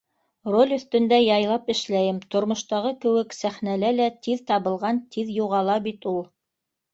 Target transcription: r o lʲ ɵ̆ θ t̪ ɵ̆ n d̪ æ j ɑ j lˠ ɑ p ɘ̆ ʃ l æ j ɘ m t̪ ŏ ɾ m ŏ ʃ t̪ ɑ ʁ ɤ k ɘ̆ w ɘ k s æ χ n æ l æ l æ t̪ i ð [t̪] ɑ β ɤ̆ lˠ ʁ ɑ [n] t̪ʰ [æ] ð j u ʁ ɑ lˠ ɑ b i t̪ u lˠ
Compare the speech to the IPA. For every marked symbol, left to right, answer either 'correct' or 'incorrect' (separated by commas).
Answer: correct, correct, incorrect